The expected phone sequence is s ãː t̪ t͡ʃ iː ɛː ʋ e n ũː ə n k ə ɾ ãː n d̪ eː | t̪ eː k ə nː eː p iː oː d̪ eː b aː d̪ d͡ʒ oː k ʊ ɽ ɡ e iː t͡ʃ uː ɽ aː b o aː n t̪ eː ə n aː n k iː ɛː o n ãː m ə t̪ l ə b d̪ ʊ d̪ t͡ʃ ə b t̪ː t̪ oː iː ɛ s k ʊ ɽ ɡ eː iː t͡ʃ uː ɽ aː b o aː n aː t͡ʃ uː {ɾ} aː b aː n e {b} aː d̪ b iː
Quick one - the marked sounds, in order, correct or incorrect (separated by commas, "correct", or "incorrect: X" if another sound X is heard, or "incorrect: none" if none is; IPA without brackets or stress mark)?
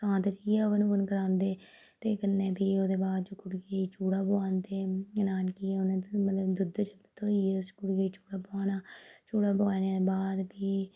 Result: incorrect: ɽ, correct